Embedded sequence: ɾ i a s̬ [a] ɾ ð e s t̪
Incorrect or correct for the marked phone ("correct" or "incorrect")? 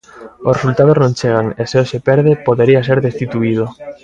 incorrect